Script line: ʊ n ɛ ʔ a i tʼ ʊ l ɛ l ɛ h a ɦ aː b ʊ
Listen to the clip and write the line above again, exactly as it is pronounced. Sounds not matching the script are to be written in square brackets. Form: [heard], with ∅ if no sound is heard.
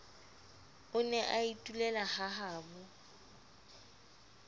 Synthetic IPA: ʊ n ɛ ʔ a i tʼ [u] l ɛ l [a] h a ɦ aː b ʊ